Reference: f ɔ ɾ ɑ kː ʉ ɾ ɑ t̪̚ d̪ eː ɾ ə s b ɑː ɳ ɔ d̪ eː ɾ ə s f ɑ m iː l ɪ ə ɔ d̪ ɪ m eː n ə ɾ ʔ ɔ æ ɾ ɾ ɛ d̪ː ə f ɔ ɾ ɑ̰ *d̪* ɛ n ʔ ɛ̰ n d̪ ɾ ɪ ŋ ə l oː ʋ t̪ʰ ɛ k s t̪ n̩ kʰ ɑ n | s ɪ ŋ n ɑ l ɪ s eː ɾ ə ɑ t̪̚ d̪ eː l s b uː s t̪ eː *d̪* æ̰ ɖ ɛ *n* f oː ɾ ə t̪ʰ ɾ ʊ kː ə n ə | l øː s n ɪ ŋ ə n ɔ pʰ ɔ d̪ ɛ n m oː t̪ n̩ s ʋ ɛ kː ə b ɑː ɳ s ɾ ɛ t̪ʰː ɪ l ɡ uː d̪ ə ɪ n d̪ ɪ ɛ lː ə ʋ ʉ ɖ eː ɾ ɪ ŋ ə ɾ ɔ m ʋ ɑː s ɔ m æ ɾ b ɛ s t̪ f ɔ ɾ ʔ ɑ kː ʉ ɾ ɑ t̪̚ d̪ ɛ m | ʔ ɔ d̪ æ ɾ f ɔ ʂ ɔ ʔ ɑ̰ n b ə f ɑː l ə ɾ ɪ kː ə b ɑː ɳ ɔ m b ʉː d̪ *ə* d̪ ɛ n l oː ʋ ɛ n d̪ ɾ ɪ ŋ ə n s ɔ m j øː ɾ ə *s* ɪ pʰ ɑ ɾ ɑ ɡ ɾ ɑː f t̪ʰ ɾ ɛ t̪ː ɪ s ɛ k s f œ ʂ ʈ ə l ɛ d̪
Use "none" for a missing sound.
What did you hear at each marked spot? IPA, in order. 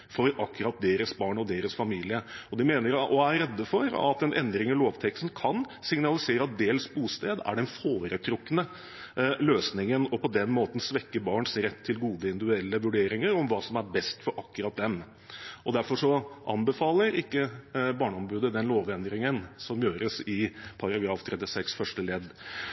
t̪, d̪, n, ə, s

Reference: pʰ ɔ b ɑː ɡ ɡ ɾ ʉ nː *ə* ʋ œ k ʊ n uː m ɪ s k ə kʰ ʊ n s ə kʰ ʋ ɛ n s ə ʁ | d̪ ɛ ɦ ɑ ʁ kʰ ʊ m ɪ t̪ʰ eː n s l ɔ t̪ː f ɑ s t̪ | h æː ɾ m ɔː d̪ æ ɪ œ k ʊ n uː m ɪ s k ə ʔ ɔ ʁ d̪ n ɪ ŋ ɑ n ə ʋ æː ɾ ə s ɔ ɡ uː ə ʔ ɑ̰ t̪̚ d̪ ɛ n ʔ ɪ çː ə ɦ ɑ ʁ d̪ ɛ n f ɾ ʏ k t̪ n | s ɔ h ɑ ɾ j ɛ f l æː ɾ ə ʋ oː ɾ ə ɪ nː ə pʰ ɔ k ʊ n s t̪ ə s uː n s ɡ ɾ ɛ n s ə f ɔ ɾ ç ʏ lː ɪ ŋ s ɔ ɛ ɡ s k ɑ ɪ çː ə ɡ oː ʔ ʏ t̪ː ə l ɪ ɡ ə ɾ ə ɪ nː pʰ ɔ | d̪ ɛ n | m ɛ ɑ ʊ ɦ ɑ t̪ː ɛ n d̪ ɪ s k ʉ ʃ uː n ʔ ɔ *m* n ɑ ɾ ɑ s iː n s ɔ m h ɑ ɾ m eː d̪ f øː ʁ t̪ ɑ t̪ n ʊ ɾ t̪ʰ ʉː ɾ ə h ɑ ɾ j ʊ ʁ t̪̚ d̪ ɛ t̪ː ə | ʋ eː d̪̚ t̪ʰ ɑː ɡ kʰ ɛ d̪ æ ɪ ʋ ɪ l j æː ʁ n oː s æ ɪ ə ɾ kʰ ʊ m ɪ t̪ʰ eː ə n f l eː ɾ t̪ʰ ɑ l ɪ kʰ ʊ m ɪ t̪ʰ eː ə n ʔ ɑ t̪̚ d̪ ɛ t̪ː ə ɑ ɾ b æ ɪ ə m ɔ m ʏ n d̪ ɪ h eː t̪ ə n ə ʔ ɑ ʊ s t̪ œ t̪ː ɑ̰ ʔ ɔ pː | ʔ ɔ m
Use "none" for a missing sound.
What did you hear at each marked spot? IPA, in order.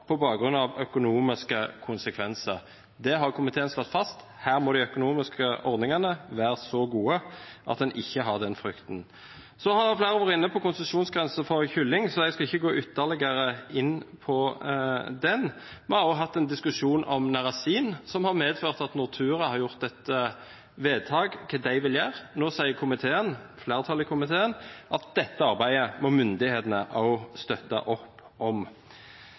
ɑ, m

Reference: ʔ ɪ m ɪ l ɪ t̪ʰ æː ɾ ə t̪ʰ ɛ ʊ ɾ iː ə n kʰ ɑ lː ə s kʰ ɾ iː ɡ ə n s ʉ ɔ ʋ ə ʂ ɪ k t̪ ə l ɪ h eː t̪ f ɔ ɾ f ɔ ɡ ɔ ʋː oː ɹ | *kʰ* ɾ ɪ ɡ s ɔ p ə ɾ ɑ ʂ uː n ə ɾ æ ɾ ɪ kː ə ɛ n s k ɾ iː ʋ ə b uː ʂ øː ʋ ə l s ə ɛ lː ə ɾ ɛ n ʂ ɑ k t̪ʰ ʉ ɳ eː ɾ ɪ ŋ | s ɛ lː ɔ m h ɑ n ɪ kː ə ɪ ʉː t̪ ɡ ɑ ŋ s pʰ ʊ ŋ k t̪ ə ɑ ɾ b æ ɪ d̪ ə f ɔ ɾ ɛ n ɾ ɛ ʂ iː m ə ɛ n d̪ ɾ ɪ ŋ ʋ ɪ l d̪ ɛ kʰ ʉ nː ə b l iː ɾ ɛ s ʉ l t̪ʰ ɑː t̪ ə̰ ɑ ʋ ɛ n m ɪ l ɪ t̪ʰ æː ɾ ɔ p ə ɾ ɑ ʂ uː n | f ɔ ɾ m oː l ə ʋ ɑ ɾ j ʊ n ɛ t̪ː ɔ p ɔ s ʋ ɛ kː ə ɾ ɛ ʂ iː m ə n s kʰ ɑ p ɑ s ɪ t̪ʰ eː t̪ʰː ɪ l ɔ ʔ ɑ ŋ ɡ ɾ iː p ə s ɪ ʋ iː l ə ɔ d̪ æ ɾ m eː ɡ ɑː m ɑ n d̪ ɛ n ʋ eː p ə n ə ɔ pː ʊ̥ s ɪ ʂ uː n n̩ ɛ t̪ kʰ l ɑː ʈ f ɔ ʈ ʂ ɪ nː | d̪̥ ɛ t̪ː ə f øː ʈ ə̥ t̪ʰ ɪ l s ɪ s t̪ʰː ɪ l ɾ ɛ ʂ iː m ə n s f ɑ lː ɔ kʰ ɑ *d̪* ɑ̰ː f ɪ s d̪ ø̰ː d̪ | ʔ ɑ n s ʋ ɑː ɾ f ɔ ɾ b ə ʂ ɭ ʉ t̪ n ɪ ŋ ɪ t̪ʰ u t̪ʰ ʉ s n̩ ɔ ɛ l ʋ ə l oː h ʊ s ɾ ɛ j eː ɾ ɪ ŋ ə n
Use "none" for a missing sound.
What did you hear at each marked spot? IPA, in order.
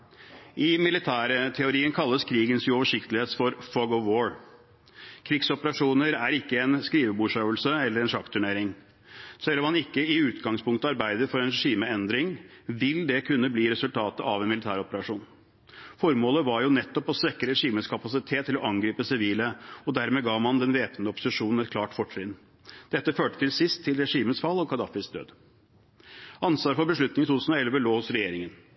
kʰ, d̪

